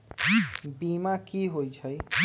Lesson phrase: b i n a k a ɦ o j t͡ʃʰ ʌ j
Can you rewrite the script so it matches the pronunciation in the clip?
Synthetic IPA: b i m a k i ɦ o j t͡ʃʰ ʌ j